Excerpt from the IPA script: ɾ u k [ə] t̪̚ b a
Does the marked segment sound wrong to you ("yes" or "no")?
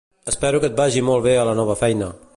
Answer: no